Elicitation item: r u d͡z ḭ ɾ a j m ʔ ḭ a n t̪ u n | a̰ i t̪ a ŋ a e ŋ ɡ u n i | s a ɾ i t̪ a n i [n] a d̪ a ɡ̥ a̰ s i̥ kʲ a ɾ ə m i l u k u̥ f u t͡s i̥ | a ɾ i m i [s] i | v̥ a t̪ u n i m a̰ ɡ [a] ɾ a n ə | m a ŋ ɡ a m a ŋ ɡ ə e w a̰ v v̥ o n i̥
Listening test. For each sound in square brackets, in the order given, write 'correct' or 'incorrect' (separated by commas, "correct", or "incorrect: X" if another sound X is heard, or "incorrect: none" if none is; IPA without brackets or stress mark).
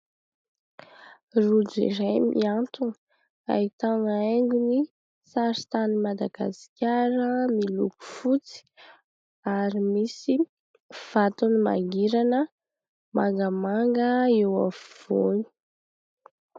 incorrect: m, correct, incorrect: i